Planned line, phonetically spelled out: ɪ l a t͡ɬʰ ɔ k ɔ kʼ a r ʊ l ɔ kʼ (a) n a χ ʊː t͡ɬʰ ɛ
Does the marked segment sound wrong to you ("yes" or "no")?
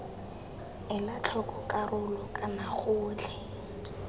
no